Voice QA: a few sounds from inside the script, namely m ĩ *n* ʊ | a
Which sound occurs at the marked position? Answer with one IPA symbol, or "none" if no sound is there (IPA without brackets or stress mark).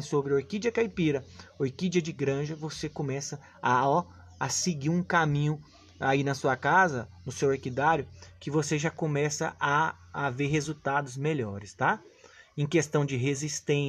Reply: ɲ